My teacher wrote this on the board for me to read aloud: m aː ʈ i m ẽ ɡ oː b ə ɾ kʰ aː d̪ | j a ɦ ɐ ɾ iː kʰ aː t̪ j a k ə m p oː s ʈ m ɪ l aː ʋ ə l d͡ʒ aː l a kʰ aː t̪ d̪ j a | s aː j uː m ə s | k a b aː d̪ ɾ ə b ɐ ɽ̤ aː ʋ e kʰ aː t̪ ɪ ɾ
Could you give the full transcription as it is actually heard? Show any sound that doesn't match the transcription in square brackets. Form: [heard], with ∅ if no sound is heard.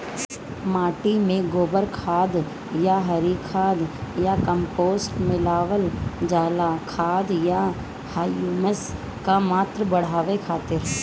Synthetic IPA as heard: m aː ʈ i m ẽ ɡ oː b ə ɾ kʰ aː d̪ | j a ɦ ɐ ɾ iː kʰ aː [d̪] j a k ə m p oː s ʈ m ɪ l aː ʋ ə l d͡ʒ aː l a kʰ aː [∅] d̪ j a | [h] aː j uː m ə s | k a [m] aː [t̪] ɾ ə b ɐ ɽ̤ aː ʋ e kʰ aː t̪ ɪ ɾ